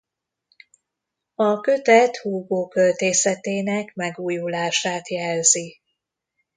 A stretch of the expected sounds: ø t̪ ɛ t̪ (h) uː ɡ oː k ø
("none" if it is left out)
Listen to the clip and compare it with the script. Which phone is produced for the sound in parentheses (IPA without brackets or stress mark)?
h